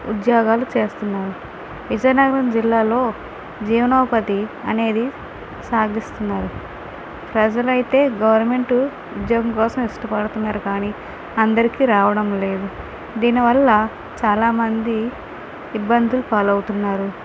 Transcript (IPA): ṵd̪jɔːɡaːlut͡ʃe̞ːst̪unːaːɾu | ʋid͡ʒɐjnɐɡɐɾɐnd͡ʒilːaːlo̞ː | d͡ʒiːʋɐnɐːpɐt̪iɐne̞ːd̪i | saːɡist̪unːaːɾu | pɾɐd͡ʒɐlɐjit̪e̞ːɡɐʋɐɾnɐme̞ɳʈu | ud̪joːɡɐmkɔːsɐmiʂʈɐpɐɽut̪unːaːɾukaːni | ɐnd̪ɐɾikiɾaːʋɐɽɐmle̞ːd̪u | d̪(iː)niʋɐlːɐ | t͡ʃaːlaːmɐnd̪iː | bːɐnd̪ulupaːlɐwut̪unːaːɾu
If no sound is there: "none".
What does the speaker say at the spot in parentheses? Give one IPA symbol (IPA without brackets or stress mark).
iː